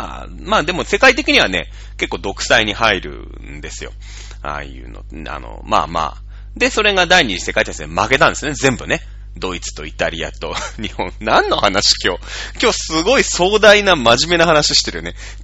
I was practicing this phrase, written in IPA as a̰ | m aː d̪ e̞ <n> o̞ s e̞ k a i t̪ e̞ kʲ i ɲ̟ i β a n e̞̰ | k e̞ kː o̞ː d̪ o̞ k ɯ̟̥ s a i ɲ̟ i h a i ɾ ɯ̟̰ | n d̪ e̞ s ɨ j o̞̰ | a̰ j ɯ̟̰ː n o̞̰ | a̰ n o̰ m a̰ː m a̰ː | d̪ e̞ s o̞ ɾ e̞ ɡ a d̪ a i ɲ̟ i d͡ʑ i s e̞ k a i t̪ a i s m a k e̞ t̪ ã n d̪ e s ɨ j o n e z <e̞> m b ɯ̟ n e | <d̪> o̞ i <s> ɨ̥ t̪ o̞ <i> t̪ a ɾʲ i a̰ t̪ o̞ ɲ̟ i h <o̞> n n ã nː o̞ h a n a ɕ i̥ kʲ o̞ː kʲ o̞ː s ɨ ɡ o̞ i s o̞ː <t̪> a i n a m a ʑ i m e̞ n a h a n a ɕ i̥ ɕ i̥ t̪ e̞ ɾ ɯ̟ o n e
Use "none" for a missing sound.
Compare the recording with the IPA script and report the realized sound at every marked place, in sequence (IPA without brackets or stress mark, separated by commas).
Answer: m, ẽ̞, d̪, t͡s, i, õ̞, d̪